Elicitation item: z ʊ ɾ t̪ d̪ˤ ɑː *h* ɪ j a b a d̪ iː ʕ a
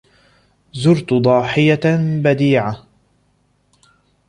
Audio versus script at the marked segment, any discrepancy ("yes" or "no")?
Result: yes